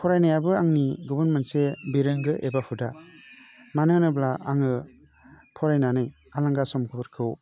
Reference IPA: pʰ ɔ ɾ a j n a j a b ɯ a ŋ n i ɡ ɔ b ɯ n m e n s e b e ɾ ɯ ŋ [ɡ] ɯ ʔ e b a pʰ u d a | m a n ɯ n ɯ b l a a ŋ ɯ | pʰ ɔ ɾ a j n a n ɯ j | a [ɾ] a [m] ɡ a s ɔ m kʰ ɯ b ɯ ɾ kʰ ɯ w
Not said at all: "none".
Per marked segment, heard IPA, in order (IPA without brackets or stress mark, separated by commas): ɡ, l, ŋ